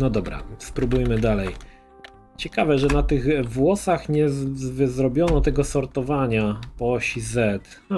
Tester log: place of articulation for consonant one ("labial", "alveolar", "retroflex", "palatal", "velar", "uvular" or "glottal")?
alveolar